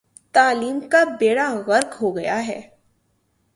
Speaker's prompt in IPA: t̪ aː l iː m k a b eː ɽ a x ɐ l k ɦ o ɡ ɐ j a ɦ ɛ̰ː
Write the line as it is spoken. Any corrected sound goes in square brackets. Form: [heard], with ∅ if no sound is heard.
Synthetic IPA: t̪ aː l iː m k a b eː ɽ a [ɣ] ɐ [ɾ] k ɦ o ɡ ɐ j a ɦ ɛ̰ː